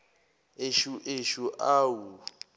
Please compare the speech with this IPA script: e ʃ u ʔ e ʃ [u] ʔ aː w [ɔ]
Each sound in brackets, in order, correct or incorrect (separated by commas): correct, incorrect